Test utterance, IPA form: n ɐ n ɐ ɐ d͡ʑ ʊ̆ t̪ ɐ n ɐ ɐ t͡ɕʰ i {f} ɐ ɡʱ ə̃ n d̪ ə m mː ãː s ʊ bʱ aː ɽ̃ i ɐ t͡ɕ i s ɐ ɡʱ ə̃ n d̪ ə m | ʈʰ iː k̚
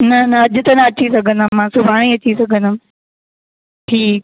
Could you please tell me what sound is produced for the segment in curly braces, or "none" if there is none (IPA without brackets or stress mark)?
s